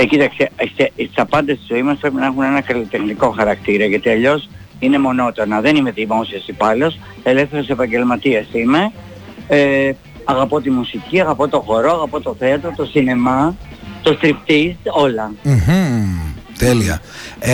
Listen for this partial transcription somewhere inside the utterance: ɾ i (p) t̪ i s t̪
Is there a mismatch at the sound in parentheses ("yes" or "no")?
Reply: no